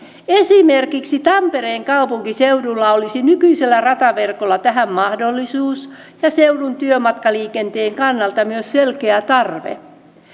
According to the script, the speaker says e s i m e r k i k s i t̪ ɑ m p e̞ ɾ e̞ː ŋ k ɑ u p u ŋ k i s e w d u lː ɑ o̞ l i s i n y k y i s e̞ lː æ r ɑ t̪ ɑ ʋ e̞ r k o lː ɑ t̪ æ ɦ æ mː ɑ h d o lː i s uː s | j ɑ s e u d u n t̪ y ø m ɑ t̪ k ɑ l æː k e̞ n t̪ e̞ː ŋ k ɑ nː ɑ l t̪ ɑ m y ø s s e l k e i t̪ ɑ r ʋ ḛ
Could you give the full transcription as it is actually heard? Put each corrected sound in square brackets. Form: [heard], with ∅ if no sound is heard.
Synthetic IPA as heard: e s i m e r k i k s i t̪ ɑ m p e̞ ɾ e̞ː ŋ k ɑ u p u ŋ k i s e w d u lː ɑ o̞ l i s i n y k y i s e̞ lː æ r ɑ t̪ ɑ ʋ e̞ r k o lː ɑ t̪ æ ɦ æ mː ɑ h d o lː i s uː s | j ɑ s e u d u n t̪ y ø m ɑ t̪ k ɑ l [iː] k e̞ n t̪ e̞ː ŋ k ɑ nː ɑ l t̪ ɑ m y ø s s e l k e [æ] t̪ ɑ r ʋ ḛ